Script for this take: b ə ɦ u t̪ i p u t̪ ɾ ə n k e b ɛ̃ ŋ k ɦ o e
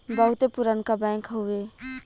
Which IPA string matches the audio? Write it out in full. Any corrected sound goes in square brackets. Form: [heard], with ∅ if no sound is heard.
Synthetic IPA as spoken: b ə ɦ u t̪ [e] p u [∅] ɾ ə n k [a] b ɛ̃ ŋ k ɦ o e